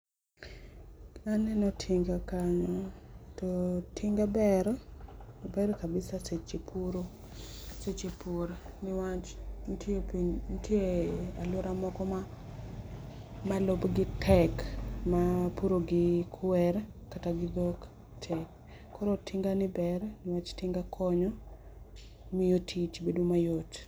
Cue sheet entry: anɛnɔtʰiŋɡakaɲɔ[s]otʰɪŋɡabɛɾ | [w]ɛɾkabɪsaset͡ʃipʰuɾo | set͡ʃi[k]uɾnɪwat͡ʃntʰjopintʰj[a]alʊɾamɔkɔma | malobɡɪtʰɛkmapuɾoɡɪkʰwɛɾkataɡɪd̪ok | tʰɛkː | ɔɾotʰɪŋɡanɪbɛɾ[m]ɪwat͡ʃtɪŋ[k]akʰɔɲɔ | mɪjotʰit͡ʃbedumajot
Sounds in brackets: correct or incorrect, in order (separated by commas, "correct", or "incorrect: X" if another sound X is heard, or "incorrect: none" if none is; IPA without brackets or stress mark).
incorrect: t, incorrect: b, incorrect: p, incorrect: e, incorrect: n, incorrect: ɡ